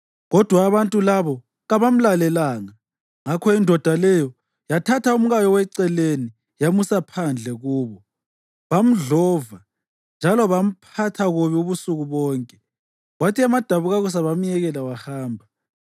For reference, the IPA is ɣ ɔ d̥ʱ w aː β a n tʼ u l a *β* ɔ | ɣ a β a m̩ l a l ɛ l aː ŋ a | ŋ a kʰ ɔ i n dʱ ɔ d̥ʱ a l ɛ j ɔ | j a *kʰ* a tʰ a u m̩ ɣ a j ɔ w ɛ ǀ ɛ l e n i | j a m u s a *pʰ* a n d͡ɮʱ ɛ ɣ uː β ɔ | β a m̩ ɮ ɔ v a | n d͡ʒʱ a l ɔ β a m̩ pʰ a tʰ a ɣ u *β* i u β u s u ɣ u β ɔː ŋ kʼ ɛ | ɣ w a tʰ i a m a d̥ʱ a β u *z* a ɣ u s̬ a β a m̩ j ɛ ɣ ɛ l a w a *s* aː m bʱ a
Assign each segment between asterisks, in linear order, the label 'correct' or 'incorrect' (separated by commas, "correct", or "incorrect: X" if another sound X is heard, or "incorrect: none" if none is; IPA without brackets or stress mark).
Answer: correct, incorrect: tʰ, correct, correct, incorrect: ɣ, incorrect: h